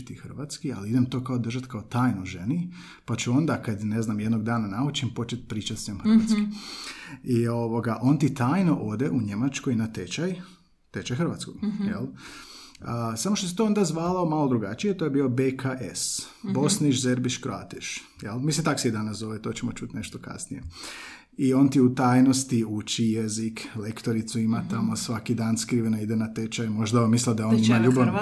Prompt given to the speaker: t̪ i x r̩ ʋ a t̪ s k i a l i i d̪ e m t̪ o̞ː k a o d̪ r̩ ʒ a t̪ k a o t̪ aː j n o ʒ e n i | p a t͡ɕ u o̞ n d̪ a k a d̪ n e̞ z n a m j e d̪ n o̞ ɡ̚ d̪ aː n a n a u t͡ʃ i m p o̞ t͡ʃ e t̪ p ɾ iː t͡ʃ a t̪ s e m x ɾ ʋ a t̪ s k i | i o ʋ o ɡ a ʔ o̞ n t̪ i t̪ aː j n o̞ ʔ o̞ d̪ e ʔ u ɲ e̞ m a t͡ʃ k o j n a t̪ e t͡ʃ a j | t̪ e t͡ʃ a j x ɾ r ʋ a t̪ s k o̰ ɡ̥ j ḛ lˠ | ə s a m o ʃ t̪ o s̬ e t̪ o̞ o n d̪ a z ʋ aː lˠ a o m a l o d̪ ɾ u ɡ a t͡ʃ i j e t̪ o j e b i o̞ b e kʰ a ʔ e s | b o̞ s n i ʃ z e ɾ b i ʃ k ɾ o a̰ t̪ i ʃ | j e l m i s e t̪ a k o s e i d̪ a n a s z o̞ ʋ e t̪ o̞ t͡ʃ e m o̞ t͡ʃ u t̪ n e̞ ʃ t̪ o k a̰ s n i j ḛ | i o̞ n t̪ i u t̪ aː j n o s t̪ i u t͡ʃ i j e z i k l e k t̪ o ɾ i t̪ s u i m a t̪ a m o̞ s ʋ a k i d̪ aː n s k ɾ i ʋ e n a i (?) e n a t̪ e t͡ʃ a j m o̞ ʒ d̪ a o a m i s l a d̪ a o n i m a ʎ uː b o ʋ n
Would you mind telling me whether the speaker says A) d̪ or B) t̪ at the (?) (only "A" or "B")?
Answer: A